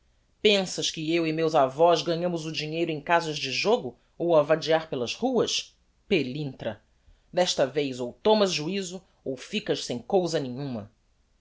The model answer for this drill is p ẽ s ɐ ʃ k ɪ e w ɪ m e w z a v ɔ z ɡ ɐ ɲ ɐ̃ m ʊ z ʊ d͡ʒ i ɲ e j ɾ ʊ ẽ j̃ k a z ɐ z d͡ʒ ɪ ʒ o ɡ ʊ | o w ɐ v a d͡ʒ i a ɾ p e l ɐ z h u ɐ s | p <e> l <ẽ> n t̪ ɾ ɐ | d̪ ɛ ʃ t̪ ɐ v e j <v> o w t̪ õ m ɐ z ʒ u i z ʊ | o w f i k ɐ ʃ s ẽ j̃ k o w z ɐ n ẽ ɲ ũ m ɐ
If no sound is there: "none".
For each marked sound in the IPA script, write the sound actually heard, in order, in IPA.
e, ĩ, z

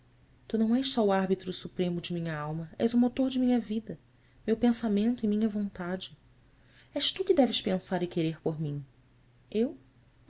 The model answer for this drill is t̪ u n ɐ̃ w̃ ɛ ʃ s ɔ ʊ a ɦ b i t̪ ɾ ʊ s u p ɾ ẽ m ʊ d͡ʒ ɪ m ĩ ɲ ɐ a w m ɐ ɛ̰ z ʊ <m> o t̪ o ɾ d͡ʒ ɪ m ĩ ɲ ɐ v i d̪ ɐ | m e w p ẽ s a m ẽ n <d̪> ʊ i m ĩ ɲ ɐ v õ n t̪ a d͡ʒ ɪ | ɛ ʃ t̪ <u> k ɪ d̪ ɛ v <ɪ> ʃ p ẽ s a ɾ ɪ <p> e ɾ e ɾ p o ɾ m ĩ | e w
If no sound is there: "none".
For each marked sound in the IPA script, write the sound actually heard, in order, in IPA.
m, t̪, u, ɪ, k

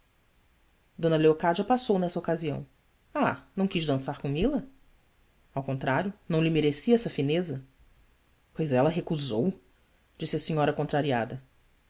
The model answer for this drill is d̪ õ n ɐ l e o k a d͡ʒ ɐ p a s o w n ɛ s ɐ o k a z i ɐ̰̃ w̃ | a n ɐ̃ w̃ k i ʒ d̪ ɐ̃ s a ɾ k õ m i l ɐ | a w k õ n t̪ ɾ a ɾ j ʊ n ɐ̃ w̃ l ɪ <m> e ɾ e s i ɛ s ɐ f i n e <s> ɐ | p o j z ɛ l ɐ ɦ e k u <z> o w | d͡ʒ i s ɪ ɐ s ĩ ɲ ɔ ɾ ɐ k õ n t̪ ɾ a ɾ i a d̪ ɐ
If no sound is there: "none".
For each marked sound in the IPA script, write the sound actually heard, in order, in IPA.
m, z, z

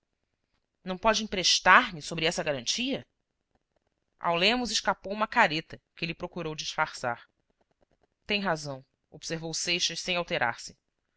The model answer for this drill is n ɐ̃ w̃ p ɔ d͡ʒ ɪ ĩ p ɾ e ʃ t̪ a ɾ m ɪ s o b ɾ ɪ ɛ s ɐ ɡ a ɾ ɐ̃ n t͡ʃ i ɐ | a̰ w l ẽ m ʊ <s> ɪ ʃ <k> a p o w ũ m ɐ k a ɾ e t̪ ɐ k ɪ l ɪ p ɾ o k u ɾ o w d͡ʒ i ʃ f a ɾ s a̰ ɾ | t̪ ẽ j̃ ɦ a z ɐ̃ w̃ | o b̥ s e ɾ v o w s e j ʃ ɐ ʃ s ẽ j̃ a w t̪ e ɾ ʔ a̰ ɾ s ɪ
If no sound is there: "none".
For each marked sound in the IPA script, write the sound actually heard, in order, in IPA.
z, k

